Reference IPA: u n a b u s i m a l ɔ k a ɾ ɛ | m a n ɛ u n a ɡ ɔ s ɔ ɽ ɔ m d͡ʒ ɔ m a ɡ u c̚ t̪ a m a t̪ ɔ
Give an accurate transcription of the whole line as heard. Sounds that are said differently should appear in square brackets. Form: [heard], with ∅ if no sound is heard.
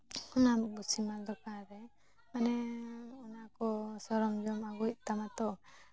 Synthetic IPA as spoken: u n a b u s i m a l ɔ k a ɾ ɛ | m a n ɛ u n a [k] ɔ s ɔ [ɾ] ɔ m d͡ʒ ɔ m a ɡ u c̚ t̪ a m a t̪ ɔ